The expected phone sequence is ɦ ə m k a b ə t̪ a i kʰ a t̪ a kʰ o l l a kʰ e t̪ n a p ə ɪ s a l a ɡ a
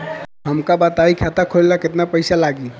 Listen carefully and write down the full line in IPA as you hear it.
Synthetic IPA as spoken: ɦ ə m k a b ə t̪ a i kʰ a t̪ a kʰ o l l a k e t̪ n a p ə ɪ s a l a ɡ i